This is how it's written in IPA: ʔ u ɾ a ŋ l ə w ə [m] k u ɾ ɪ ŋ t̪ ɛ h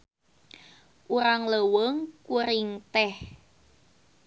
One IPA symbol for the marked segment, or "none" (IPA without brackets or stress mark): ŋ